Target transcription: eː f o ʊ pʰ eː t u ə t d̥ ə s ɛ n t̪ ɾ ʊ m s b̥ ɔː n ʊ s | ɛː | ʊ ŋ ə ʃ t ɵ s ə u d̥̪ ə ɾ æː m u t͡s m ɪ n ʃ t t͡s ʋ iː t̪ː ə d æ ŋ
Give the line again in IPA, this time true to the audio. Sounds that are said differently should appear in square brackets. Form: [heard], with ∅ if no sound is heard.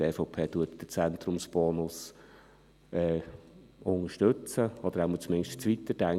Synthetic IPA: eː f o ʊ pʰ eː t u ə t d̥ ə [t͡s] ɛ n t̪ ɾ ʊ m s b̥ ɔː n ʊ s | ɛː | ʊ ŋ ə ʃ t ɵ [t͡s] ə [ɔ] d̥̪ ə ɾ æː m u t͡s m ɪ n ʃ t t͡s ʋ [i] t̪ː ə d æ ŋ